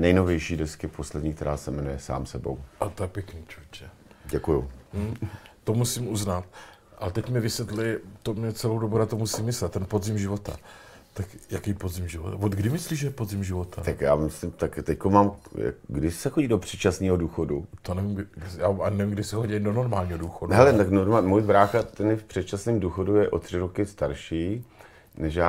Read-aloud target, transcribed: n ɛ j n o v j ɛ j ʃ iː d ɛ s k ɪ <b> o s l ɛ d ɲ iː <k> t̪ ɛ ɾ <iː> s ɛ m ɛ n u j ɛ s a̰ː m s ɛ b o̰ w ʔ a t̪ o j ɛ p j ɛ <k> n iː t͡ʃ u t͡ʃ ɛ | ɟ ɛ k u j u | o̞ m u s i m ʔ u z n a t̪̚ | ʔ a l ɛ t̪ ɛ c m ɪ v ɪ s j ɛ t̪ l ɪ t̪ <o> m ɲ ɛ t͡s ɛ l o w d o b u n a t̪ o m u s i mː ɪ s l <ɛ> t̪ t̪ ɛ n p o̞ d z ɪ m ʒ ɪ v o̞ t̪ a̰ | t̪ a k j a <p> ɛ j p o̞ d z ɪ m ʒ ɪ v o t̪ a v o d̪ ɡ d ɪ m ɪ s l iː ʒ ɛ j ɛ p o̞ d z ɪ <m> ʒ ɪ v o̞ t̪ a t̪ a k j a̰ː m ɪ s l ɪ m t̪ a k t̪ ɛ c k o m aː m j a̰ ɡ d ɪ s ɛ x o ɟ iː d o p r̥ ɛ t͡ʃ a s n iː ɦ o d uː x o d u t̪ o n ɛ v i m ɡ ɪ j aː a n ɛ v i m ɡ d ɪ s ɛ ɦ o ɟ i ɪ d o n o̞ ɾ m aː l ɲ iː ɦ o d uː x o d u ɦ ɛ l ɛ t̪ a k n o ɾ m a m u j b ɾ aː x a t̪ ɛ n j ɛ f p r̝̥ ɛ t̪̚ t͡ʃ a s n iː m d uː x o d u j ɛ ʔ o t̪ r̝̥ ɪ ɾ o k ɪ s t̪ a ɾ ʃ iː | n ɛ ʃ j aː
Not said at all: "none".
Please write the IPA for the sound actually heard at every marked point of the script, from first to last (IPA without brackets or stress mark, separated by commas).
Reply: p, k, aː, k, o, ɛ, k, m